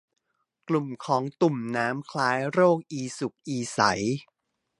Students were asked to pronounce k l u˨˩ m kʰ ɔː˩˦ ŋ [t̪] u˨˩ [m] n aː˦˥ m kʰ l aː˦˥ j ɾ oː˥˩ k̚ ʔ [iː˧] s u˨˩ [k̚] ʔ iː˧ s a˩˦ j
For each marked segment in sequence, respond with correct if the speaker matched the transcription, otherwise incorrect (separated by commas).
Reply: correct, correct, correct, correct